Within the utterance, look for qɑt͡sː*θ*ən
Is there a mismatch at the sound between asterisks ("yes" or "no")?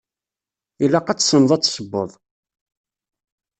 yes